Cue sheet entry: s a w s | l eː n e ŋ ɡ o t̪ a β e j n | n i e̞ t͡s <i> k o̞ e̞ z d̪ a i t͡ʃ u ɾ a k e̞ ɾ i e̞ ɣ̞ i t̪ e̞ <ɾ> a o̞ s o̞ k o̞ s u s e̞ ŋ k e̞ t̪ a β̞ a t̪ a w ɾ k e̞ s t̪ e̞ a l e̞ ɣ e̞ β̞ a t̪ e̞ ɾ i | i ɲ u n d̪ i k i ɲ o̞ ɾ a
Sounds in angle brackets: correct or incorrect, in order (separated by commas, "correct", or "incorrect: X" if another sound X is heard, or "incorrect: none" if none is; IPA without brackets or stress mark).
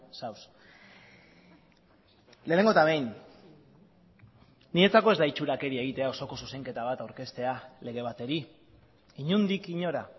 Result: incorrect: a, incorrect: none